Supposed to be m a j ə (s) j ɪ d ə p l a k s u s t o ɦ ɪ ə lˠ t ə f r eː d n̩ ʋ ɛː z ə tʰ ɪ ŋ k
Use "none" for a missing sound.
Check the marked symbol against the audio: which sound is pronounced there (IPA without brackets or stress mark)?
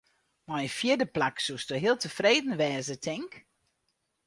f